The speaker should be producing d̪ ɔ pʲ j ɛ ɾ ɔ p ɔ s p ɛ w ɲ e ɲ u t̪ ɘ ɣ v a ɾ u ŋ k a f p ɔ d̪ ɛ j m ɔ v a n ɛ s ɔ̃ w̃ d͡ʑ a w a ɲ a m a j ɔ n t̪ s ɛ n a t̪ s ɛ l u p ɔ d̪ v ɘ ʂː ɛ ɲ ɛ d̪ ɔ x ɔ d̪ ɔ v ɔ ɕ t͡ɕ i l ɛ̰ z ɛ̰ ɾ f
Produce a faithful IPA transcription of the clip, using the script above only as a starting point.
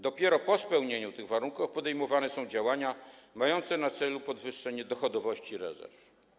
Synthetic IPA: d̪ ɔ pʲ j ɛ ɾ ɔ p ɔ s p ɛ w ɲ e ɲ u t̪ ɘ ɣ v a ɾ u ŋ k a f p ɔ d̪ ɛ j m ɔ v a n ɛ s ɔ̃ w̃ d͡ʑ a w a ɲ a m a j ɔ n t̪ s ɛ n a t̪ s ɛ l u p ɔ d̪ v ɘ ʂː ɛ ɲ ɛ d̪ ɔ x ɔ d̪ ɔ v ɔ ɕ t͡ɕ i ɾ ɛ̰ z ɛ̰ ɾ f